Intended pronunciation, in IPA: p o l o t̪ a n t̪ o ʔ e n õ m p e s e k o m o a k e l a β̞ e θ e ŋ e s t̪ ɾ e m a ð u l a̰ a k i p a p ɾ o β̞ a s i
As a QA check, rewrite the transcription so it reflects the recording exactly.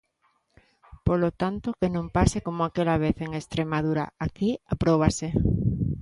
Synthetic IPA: p o l o t̪ a n t̪ o k e n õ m p a s e k o m o a k e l a β̞ e θ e ŋ e s t̪ ɾ e m a ð u ɾ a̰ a k i a p ɾ o β̞ a s e

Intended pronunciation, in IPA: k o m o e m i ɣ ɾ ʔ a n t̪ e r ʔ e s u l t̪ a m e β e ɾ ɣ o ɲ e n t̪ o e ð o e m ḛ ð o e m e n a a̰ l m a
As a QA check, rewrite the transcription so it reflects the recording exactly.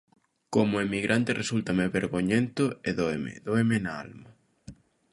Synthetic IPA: k o m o e m i ɣ ɾ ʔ a n t̪ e r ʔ e s u l t̪ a m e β e ɾ ɣ o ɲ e n t̪ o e ð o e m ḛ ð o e m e n a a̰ l m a

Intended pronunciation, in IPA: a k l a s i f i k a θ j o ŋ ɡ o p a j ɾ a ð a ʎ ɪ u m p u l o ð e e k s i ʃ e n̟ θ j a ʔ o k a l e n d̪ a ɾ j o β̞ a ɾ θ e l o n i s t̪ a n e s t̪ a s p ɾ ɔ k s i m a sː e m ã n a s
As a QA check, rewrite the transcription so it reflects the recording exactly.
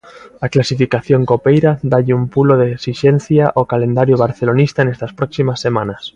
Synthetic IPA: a k l a s i f i k a θ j o ŋ k o p e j ɾ a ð a ʎ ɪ u m p u l o ð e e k s i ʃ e n̟ θ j a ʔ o k a l e n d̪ a ɾ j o β̞ a ɾ θ e l o n i s t̪ a n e s t̪ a s p ɾ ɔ k s i m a sː e m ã n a s

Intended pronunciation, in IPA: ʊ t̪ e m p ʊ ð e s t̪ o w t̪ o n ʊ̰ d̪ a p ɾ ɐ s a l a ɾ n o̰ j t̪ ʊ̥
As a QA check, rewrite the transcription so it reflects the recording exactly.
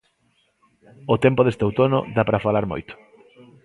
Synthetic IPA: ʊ t̪ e m p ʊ ð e s t̪ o w t̪ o n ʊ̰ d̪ a p ɾ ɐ f a l a ɾ m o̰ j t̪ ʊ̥

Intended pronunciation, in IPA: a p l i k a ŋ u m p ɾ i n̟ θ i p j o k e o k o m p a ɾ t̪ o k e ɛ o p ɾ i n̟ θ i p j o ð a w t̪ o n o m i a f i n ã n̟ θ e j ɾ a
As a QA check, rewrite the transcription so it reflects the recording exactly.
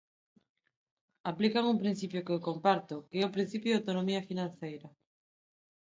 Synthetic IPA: a p l i k a ŋ u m p ɾ i n̟ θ i p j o k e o k o m p a ɾ t̪ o k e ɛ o p ɾ i n̟ θ i p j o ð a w t̪ o n o m i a f i n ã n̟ θ e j ɾ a

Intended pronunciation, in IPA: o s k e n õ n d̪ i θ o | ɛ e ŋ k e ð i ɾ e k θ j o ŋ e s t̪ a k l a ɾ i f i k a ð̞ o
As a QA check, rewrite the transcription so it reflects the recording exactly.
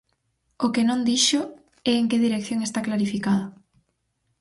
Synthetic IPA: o k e n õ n d̪ i ʃ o | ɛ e ŋ k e ð i ɾ e k θ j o ŋ e s t̪ a k l a ɾ i f i k a ð̞ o

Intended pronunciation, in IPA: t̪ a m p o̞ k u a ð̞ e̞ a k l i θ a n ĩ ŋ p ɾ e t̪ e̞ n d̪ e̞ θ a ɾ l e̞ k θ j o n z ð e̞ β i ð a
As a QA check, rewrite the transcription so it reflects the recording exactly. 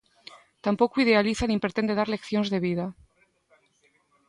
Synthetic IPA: t̪ a m p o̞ k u i ð̞ e̞ a l i θ a n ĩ m p ɾ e t̪ e̞ n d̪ e̞ ð a ɾ l e̞ k θ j o n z ð e̞ β i ð a

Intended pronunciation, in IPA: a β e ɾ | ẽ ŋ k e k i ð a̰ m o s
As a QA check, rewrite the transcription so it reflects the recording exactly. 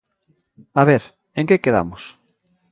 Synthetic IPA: a β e ɾ | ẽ ŋ k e k e ð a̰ m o s

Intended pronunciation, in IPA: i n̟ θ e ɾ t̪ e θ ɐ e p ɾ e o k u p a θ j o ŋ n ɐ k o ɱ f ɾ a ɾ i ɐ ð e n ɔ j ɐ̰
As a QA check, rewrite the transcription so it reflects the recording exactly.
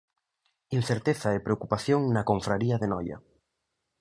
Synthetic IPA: i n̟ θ e ɾ t̪ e θ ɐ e p ɾ e o k u p a θ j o ŋ n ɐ k o ɱ f ɾ a ɾ i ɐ ð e n ɔ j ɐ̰

